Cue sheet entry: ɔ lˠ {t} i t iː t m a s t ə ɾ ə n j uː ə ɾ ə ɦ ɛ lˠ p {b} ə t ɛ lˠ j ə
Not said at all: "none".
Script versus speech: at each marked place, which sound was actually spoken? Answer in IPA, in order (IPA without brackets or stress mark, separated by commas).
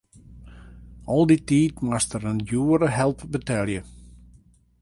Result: d, b